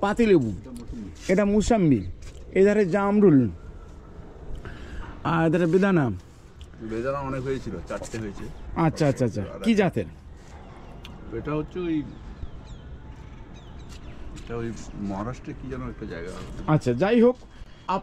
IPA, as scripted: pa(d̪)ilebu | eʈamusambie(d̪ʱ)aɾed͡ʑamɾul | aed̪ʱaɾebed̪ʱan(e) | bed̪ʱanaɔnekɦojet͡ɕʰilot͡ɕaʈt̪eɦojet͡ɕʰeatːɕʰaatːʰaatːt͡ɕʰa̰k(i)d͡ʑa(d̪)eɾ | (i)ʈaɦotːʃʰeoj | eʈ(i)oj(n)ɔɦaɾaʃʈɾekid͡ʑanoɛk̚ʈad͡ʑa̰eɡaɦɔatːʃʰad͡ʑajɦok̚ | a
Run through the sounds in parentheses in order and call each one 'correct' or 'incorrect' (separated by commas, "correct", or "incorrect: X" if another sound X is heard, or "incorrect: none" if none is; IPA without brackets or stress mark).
incorrect: t̪, correct, incorrect: a, correct, incorrect: t̪, incorrect: e, incorrect: a, incorrect: m